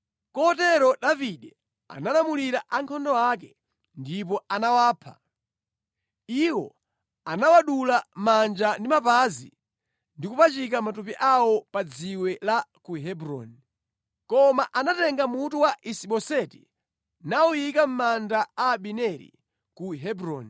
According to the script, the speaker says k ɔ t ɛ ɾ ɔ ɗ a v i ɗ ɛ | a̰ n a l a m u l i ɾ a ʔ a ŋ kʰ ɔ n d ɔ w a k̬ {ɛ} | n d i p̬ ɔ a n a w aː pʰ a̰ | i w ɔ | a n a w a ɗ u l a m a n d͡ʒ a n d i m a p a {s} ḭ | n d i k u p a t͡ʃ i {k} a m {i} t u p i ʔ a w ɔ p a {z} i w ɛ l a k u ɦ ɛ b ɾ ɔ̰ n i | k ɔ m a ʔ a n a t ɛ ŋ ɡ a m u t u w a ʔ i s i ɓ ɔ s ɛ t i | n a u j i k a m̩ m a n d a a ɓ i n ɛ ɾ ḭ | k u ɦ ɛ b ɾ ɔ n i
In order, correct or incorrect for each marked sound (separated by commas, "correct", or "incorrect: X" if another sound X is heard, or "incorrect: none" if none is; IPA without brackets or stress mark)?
correct, incorrect: z, correct, incorrect: a, incorrect: d͡z